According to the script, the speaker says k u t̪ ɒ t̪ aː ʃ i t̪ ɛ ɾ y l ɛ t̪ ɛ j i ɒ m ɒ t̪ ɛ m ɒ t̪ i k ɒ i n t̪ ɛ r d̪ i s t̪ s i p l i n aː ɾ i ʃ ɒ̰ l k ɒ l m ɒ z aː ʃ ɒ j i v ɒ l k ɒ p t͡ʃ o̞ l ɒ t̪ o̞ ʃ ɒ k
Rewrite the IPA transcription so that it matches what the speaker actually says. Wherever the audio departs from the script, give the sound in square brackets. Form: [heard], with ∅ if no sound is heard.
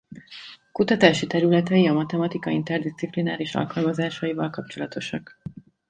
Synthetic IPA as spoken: k u t̪ ɒ t̪ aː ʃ i t̪ ɛ ɾ y l ɛ t̪ ɛ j i ɒ m ɒ t̪ ɛ m ɒ t̪ i k ɒ i n t̪ ɛ r d̪ i s t̪ s i p l i n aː ɾ i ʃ ɒ̰ l k ɒ l m ɒ z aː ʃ ɒ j i v ɒ l k ɒ p t͡ʃ o̞ l ɒ t̪ o̞ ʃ ɒ k